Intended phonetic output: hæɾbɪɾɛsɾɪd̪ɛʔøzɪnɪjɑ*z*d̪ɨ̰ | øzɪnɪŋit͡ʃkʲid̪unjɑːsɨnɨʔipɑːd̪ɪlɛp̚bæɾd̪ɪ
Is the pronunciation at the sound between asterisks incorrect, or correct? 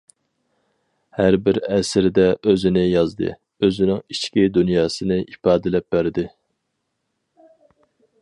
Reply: correct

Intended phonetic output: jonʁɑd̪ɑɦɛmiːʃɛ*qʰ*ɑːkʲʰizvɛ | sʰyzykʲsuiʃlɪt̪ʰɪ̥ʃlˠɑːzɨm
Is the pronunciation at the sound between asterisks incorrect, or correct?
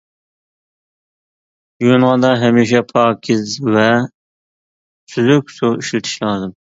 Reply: incorrect: pʰ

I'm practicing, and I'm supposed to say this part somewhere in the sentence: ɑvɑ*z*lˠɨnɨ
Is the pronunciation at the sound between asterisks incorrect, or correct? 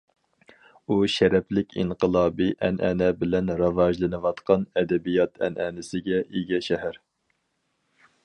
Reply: incorrect: ʒ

